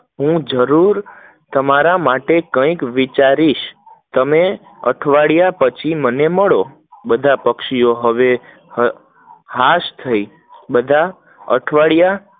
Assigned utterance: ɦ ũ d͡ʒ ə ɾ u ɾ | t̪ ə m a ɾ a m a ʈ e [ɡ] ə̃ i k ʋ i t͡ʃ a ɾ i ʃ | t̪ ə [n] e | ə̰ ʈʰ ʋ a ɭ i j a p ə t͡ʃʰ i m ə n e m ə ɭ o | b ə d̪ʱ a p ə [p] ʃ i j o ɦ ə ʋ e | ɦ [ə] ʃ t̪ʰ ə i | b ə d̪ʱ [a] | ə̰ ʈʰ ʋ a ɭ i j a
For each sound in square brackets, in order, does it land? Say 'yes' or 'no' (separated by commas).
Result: no, no, no, no, yes